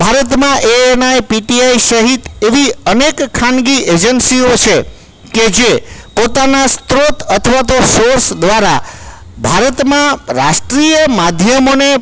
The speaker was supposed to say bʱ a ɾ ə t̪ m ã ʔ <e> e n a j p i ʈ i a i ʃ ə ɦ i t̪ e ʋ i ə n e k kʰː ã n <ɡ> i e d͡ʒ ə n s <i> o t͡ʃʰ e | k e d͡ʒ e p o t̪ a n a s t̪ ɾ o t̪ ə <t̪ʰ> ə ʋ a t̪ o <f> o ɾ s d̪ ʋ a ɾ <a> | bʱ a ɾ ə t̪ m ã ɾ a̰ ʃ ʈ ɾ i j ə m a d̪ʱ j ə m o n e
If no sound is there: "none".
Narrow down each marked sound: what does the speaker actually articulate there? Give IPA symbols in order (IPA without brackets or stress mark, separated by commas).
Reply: e, ɡ, i, t̪ʰ, s, a